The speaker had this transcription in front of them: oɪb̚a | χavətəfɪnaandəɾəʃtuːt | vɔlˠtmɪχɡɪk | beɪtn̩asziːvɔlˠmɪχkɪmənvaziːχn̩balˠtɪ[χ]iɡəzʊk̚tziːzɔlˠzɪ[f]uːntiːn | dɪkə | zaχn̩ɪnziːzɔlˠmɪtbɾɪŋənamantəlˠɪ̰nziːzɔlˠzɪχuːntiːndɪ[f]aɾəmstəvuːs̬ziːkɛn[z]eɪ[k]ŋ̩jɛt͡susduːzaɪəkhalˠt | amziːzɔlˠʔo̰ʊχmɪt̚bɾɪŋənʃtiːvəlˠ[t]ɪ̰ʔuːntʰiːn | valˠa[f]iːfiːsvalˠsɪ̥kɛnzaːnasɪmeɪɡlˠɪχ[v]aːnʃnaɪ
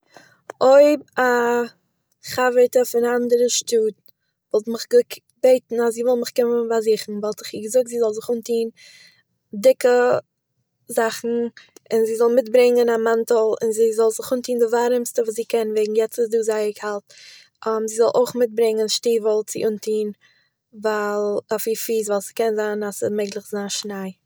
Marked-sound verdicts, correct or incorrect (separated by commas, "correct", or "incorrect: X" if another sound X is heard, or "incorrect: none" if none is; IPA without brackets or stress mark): correct, incorrect: χ, incorrect: v, incorrect: v, incorrect: ɡ, incorrect: t͡s, correct, incorrect: z